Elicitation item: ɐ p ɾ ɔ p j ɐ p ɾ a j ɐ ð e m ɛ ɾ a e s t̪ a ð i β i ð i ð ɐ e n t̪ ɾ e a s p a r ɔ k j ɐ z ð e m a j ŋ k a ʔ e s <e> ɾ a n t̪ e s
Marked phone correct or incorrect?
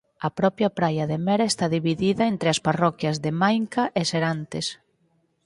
correct